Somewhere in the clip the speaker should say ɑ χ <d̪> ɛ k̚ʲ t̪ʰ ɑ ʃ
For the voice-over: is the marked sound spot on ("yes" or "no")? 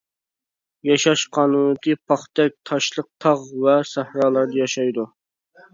no